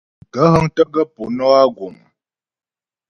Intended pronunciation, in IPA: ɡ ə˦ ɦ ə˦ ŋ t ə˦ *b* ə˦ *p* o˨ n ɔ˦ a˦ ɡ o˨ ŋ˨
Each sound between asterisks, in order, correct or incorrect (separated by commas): incorrect, correct